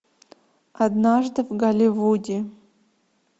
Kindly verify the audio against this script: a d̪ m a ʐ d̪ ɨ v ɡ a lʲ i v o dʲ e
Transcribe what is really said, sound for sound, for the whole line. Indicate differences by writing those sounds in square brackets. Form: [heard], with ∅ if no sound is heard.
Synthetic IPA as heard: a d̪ [n] a ʐ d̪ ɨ v ɡ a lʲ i v [u] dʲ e